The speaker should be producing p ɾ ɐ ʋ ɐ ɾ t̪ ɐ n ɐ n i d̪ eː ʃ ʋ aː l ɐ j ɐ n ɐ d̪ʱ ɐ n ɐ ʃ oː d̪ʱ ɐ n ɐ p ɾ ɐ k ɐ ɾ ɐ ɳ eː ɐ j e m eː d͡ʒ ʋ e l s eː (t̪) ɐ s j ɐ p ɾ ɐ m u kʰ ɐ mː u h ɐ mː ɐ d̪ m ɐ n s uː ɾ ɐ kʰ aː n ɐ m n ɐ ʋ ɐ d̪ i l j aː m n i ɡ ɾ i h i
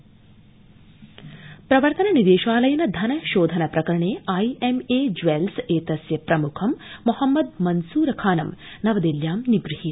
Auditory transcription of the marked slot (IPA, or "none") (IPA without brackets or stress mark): t̪